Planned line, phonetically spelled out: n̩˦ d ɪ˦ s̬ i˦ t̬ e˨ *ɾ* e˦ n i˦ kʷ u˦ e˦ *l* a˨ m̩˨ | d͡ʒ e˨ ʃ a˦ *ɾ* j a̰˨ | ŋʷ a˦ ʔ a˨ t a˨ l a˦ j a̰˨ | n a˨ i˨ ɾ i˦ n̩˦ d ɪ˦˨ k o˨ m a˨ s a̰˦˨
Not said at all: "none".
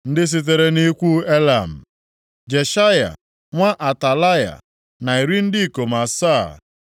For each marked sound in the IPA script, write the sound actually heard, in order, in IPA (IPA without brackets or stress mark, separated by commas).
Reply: ɾ, l, none